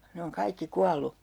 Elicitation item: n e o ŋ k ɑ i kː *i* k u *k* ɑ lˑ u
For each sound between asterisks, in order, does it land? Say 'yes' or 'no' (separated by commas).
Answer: yes, no